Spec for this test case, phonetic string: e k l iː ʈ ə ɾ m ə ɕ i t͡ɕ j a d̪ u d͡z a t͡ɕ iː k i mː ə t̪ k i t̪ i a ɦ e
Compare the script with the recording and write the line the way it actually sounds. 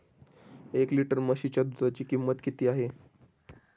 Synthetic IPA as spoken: e k l i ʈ ə ɾ m ə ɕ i t͡ɕ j a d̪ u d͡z a t͡ɕ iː k i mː ə t̪ k i t̪ iː a ɦ e